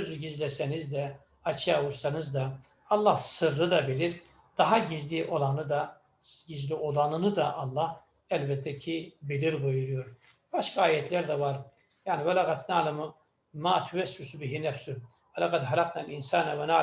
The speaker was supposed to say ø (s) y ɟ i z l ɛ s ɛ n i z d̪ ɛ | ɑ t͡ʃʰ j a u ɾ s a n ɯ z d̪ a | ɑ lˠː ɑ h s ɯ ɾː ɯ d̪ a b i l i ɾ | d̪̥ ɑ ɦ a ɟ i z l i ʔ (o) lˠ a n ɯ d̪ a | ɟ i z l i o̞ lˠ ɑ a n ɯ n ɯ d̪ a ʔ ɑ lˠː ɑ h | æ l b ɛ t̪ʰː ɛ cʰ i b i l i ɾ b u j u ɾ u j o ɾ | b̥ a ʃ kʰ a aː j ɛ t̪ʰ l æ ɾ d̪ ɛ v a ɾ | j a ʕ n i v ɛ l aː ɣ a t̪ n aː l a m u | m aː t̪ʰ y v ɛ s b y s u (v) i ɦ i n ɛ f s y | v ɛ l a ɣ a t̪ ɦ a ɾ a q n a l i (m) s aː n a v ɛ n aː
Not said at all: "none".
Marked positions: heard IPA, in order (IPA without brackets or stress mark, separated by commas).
z, o, b, n